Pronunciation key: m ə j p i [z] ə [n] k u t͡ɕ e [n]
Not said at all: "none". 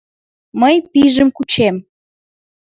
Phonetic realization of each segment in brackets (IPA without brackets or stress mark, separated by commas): ʒ, m, m